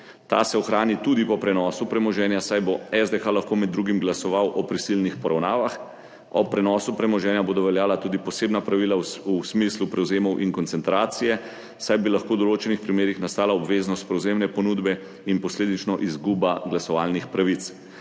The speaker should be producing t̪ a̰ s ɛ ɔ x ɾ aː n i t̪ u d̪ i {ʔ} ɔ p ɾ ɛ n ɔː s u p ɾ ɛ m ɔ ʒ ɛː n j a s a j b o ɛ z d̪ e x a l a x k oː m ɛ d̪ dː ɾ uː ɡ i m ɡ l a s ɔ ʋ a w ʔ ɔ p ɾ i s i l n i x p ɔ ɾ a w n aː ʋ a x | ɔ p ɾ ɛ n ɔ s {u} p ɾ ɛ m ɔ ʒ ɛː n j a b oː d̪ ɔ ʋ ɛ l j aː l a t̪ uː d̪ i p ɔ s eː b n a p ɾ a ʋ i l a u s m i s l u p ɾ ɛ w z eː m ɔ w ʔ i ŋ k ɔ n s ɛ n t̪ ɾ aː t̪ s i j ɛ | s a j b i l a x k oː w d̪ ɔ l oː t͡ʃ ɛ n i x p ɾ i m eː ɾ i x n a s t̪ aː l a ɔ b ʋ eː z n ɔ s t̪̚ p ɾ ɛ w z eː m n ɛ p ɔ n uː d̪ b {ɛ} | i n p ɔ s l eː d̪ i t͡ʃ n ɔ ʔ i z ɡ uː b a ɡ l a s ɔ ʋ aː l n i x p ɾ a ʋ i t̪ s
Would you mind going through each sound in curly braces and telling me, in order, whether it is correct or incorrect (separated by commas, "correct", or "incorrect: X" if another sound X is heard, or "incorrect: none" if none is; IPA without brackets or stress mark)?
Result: incorrect: p, correct, correct